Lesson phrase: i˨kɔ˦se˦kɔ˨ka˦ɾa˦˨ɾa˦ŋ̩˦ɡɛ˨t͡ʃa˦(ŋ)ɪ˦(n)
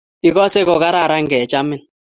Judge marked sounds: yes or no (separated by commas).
no, yes